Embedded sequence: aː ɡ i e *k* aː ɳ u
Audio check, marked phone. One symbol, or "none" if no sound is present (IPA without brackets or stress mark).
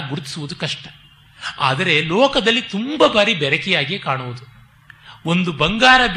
k